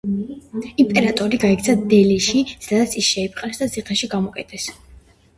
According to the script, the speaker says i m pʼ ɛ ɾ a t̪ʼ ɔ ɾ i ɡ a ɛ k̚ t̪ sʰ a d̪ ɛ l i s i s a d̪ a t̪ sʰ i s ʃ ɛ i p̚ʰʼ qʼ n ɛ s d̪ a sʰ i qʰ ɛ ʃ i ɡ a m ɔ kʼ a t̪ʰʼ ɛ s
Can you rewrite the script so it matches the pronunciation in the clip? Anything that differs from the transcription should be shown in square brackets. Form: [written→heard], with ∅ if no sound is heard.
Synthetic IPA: i m pʼ ɛ ɾ a t̪ʼ ɔ ɾ i ɡ a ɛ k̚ t̪ sʰ a d̪ ɛ l i [s→ʃ] i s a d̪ a t̪ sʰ i s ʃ ɛ i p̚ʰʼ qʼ n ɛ s d̪ a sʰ i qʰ ɛ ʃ i ɡ a m ɔ kʼ [a→ɛ] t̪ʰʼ ɛ s